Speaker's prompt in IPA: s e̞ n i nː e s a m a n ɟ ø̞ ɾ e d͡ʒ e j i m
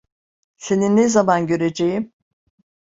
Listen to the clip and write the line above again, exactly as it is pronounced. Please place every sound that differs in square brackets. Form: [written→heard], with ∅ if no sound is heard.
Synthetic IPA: s e̞ n i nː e [s→z] a m a n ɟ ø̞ ɾ e d͡ʒ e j i m